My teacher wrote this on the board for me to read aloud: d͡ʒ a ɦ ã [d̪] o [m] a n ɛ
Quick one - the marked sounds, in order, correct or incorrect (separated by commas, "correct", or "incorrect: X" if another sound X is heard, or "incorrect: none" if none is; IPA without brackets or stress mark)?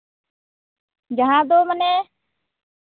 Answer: correct, correct